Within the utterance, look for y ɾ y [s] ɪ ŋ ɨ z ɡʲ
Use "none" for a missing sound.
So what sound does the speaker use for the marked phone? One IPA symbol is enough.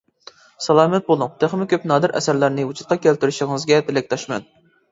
ʃ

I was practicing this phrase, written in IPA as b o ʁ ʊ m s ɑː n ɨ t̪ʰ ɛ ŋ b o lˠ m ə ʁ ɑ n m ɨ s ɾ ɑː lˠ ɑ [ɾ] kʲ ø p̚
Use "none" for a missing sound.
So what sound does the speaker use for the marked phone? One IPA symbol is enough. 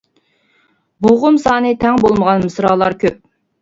ɾ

